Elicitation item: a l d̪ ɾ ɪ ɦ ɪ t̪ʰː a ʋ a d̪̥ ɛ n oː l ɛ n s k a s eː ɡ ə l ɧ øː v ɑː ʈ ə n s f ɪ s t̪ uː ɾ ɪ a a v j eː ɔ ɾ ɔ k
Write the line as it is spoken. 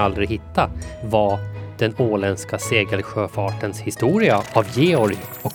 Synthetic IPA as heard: a l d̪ ɾ ɪ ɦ ɪ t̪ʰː a v a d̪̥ ɛ n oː l ɛ n s k a s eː ɡ ə l ɧ øː f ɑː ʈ ə n s h ɪ s t̪ uː ɾ ɪ a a v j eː ɔ ɾ ɔ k